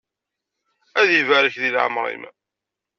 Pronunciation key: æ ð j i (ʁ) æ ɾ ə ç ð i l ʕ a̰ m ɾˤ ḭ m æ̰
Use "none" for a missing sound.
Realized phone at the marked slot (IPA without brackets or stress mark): v